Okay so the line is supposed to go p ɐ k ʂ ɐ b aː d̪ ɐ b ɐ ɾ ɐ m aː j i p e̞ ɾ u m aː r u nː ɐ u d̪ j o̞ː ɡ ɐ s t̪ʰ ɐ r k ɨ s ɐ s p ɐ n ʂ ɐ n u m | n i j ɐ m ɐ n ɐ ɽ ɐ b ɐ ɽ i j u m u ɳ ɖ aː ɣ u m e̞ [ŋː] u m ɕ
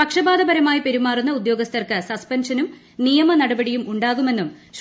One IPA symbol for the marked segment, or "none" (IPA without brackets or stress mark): nː